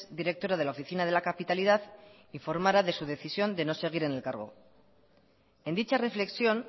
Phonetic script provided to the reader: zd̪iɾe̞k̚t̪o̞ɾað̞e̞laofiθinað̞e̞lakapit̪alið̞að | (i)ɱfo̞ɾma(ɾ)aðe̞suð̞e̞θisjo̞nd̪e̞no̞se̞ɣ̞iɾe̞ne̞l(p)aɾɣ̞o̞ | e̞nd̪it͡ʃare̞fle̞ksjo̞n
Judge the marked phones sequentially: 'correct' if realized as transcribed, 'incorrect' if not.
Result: correct, correct, incorrect: k

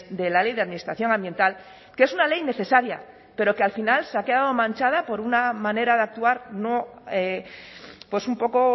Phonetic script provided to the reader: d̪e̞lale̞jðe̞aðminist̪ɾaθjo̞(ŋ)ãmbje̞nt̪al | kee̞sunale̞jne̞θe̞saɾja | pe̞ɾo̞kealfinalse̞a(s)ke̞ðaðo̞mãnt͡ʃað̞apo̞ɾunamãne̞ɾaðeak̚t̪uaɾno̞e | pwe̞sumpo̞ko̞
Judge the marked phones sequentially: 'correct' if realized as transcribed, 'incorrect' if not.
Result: correct, incorrect: none

